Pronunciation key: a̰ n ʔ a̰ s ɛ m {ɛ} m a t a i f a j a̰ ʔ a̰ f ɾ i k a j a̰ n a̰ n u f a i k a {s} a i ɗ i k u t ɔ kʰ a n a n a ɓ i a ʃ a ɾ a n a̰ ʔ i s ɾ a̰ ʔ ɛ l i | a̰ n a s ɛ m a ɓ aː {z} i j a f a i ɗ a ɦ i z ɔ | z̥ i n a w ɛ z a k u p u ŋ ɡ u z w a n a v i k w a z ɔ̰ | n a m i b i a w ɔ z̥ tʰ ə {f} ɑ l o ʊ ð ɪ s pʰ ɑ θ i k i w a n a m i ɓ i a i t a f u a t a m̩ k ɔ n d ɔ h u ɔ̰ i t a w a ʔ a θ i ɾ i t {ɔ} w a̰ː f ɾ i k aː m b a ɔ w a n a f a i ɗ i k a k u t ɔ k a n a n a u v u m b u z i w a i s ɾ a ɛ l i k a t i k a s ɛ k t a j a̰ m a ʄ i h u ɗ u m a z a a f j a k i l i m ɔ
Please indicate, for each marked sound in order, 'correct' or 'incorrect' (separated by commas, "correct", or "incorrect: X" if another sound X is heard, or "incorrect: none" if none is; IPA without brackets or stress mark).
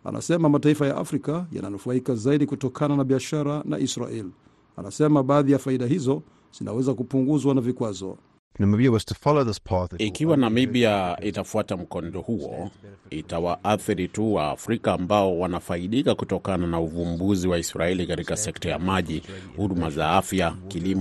incorrect: a, incorrect: z, incorrect: ð, correct, incorrect: u